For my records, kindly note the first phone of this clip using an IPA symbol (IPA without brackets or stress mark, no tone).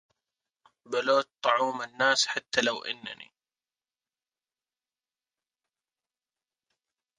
b